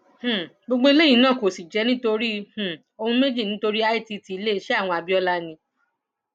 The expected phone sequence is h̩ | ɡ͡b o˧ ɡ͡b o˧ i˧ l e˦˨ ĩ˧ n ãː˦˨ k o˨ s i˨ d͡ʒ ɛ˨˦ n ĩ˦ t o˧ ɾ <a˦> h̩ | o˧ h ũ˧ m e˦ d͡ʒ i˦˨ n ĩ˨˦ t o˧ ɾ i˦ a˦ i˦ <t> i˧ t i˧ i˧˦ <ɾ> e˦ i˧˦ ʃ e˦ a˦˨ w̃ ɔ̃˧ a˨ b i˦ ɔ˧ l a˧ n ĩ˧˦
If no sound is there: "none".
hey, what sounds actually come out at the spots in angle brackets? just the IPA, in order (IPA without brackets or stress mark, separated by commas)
i˦, t, l